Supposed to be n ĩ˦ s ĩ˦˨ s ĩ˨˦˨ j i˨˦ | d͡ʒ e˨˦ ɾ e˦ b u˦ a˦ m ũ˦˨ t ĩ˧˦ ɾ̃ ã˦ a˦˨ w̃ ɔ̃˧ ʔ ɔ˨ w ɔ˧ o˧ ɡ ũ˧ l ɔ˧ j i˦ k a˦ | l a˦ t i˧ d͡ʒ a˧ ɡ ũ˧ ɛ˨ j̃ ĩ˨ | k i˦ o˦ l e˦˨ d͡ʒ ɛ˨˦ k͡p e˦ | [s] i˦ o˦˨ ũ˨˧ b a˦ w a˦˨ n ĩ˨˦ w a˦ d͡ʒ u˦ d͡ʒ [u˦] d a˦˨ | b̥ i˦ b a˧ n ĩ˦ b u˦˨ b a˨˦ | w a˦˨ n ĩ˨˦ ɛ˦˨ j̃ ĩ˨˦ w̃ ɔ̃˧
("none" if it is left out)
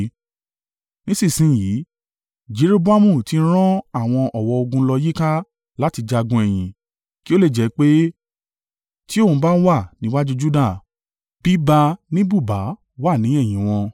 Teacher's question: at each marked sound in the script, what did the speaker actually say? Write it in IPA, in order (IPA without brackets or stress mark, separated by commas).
t, u˦